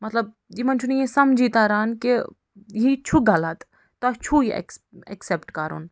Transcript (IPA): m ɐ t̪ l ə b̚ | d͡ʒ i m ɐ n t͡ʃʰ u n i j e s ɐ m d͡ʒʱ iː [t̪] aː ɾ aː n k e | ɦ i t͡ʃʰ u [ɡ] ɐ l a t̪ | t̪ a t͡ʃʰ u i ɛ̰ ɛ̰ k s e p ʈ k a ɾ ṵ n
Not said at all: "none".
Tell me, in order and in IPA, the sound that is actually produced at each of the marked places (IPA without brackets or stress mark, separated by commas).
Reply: t̪, ɡ